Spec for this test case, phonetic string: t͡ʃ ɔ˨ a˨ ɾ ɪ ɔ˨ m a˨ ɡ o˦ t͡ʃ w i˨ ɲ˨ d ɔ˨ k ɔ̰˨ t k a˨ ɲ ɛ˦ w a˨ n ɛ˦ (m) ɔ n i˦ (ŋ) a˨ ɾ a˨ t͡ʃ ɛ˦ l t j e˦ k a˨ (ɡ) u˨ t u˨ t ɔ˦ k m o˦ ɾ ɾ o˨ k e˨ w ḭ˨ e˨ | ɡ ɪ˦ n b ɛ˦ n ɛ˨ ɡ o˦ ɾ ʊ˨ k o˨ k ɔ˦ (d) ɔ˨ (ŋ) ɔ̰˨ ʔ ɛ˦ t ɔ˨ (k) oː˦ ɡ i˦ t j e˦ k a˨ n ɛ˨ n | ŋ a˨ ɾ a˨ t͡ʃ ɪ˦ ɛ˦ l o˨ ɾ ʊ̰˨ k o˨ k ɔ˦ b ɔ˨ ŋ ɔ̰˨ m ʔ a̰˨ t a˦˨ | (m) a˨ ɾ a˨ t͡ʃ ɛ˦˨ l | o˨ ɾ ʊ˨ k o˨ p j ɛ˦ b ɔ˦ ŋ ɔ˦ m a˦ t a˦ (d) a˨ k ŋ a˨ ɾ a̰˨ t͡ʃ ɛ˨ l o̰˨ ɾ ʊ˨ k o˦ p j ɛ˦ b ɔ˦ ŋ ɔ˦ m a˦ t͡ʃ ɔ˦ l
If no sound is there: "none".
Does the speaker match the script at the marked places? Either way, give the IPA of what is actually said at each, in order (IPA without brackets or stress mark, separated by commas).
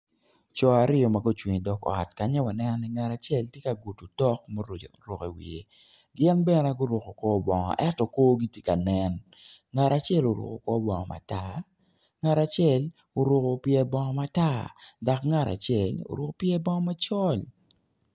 n, ŋ, ɡ, b, ŋ, k, ŋ, d